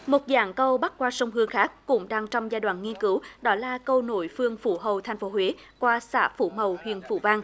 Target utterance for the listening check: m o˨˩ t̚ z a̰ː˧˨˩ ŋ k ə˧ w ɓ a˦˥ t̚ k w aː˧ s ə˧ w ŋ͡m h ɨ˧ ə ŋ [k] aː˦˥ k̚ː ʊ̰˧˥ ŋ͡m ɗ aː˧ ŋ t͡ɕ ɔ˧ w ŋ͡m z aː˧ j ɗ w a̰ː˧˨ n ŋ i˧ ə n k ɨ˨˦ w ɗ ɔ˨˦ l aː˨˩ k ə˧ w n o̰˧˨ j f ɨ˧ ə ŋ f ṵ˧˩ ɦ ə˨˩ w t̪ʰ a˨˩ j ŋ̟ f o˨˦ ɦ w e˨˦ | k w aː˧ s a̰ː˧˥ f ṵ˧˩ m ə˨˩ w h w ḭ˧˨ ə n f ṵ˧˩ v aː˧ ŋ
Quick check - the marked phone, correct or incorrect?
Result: incorrect: x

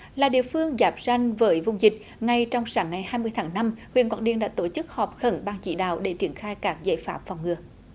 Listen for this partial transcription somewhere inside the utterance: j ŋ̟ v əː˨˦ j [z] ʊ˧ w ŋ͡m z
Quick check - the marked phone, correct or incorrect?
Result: incorrect: v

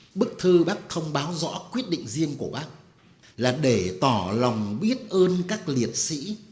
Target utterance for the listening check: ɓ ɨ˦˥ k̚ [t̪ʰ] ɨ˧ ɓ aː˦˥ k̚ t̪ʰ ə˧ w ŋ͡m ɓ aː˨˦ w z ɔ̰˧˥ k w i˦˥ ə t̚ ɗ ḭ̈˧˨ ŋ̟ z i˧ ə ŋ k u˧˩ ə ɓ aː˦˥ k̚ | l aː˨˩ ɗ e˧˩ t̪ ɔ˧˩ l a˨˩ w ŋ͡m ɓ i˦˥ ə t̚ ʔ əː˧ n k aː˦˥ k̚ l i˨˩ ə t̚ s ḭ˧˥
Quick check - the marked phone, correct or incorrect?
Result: correct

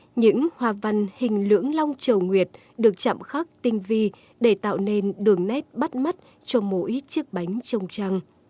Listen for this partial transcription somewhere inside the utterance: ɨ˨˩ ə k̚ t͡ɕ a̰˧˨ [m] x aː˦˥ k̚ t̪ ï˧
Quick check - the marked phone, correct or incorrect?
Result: correct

